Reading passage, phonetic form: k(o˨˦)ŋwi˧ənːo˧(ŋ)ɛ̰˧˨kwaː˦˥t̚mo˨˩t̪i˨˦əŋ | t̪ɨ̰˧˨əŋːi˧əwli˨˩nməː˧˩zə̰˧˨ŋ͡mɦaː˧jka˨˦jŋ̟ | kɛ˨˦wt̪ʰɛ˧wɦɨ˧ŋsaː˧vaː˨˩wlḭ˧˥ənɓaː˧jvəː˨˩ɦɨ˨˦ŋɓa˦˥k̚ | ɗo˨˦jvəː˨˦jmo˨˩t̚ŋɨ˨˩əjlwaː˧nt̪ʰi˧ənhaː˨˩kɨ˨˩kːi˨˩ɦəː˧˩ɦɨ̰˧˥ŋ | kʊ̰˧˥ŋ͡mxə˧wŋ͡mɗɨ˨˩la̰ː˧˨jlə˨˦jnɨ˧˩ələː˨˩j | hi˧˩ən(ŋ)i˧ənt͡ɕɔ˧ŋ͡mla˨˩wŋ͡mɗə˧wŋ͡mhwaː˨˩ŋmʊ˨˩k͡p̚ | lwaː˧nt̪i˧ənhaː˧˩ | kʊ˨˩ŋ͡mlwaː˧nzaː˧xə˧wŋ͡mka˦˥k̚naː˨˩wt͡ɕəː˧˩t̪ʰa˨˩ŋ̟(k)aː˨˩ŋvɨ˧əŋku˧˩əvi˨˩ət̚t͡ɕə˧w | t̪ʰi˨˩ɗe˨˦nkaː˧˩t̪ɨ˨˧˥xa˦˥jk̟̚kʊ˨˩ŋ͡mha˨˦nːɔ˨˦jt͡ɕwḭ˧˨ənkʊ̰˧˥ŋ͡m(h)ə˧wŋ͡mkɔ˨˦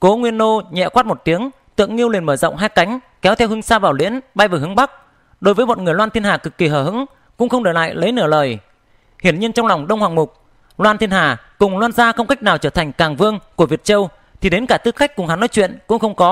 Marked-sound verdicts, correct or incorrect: correct, incorrect: ɲ, incorrect: ɲ, correct, incorrect: x

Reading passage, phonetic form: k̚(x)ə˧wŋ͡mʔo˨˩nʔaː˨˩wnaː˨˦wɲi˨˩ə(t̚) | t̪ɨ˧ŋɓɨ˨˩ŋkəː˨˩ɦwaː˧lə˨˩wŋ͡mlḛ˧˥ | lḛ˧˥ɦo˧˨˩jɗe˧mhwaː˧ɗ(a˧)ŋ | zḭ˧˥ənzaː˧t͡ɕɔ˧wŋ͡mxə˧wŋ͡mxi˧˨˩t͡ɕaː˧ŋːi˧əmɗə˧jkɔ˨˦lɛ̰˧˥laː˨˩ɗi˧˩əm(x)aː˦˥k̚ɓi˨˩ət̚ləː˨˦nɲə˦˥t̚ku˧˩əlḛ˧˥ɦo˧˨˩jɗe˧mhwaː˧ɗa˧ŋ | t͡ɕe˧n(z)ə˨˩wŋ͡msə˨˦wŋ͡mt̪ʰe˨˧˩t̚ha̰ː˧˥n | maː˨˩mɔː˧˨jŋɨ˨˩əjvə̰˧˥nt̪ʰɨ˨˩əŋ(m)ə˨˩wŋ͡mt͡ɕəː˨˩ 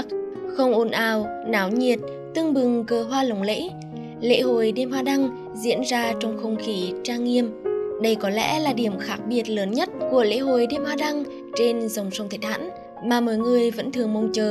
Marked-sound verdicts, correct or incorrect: correct, correct, correct, correct, correct, correct

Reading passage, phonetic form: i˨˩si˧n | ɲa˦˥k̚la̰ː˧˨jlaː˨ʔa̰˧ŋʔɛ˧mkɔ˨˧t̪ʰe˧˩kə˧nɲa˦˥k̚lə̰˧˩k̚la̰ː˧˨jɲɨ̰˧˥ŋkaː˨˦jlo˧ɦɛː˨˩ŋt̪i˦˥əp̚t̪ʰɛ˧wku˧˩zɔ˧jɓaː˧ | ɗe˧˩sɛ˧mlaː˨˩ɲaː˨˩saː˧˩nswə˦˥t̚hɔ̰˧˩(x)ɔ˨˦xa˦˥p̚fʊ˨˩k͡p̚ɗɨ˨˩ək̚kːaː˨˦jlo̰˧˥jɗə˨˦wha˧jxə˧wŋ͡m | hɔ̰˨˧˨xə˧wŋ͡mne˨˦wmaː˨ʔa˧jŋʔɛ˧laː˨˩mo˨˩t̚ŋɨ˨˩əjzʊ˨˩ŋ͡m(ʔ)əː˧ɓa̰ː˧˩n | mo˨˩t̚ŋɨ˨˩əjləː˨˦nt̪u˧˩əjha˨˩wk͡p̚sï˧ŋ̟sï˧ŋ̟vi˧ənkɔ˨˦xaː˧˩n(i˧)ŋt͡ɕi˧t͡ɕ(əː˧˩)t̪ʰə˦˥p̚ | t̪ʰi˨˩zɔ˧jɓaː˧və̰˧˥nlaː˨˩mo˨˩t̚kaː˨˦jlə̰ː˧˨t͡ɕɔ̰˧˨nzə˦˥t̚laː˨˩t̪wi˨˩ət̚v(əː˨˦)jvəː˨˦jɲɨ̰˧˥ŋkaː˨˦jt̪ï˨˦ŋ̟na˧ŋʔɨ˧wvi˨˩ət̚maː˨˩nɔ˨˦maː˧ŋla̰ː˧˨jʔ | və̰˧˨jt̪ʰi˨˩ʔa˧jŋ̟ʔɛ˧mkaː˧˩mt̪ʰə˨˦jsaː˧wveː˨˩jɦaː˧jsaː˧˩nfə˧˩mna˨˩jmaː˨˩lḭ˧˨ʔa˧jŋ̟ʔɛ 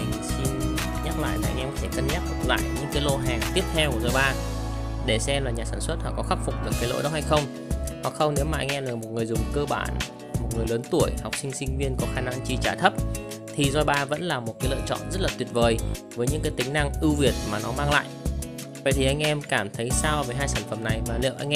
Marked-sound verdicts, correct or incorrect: incorrect: k, incorrect: k, incorrect: a˧, incorrect: aː˧˩, incorrect: əː˨˩

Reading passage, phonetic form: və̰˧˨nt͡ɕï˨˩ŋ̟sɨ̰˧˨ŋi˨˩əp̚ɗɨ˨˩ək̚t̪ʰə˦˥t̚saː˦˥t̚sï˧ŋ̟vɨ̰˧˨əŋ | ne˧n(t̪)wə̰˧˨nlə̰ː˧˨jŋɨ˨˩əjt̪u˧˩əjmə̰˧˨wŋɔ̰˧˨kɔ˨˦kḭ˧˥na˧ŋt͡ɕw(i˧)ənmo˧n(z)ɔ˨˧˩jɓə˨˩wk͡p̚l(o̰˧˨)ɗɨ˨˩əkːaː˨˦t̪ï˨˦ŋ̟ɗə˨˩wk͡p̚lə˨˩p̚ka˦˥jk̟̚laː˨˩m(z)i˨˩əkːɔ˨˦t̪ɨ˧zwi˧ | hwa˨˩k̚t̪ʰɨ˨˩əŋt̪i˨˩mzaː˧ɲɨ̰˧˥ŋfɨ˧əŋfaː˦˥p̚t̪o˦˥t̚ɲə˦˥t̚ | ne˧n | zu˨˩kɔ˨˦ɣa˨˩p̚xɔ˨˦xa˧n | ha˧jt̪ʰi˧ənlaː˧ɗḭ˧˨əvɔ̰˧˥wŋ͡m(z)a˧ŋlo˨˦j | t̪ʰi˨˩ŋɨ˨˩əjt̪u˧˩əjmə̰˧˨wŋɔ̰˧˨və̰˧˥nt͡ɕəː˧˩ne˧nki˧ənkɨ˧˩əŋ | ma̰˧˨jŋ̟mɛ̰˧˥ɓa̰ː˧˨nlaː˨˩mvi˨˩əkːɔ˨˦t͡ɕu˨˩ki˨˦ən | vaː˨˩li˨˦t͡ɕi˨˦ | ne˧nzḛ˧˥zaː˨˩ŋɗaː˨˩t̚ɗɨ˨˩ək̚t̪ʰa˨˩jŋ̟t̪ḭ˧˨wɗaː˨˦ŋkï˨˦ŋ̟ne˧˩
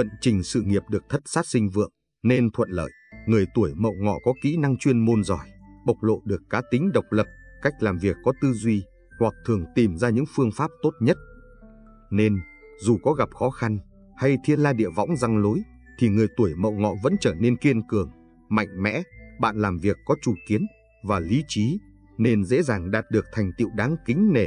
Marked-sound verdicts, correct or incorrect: incorrect: t̪ʰ, correct, correct, correct, incorrect: v, correct

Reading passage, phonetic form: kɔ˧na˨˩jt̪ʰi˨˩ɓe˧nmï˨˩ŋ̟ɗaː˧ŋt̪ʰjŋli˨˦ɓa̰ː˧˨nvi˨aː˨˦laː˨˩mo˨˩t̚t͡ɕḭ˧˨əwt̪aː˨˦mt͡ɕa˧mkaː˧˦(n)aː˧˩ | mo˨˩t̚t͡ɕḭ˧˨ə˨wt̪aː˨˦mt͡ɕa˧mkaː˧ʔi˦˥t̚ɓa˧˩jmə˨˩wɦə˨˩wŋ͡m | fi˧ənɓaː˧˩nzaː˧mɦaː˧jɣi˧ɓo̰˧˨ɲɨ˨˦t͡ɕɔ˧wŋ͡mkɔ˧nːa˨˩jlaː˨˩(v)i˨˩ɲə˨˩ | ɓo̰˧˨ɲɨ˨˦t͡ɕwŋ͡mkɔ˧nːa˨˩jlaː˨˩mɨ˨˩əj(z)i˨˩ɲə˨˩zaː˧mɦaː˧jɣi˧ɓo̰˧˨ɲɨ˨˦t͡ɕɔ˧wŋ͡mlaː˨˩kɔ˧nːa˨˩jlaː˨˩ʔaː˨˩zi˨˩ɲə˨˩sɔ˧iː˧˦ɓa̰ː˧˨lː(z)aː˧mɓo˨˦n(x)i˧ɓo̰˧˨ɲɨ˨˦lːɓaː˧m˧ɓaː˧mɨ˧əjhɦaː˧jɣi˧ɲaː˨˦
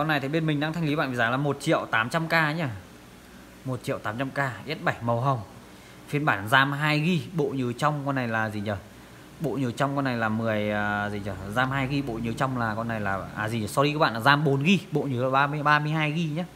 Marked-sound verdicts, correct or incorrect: incorrect: ɲ, incorrect: z, correct, correct, incorrect: ɣ

